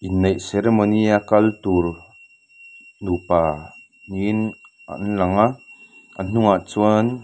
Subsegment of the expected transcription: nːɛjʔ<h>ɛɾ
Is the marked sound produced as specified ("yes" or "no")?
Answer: no